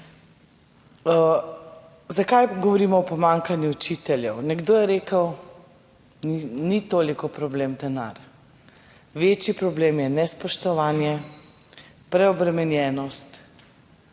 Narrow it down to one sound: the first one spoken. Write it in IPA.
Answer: z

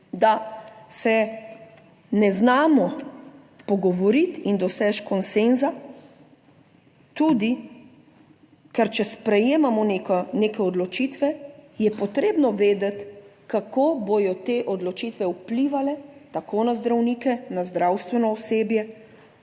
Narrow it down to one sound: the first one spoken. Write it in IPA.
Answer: d̪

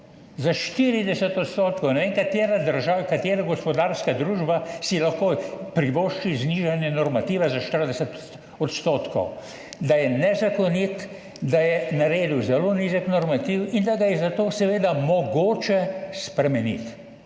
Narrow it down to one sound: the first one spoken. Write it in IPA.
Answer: z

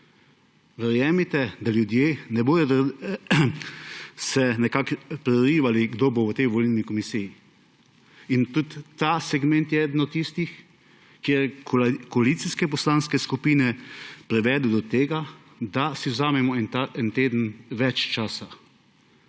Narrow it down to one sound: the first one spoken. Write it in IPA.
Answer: ʋ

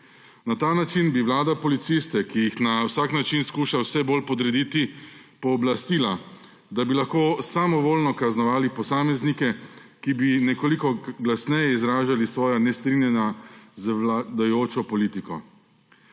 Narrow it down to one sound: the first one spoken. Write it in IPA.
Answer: n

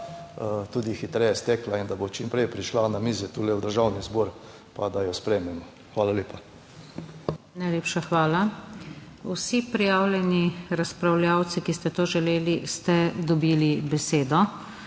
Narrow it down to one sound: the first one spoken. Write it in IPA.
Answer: t̪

